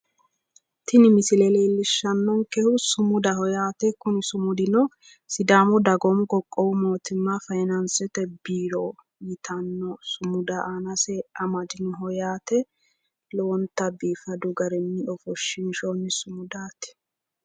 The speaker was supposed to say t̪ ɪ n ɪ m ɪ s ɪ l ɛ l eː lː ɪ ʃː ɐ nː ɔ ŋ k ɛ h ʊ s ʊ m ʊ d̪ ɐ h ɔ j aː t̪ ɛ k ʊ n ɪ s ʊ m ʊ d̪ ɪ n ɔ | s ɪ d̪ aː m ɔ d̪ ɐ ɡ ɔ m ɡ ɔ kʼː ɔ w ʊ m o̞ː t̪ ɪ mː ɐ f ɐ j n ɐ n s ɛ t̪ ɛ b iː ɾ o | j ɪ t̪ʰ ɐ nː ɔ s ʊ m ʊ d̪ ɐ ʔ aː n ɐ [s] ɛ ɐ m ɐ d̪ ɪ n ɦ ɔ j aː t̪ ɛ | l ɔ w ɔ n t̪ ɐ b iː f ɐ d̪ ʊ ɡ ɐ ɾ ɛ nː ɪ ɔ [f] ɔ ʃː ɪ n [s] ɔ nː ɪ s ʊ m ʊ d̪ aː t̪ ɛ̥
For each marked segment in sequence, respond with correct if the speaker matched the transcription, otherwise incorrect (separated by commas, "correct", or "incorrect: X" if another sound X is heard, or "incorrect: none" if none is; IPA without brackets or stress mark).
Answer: correct, correct, incorrect: ʃ